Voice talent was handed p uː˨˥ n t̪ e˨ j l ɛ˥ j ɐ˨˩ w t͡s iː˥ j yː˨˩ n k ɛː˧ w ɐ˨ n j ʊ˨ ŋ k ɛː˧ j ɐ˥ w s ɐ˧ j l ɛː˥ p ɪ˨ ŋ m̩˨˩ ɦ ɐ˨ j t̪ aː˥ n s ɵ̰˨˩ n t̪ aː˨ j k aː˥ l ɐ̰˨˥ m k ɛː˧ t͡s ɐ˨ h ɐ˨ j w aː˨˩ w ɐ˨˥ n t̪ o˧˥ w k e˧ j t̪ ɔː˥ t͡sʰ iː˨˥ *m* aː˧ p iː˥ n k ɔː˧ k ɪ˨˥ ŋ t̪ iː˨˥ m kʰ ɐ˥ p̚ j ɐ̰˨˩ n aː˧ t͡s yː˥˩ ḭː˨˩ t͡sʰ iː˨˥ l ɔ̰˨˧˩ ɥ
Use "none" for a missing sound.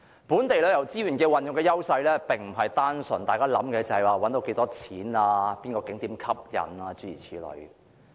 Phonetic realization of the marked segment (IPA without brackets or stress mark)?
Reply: n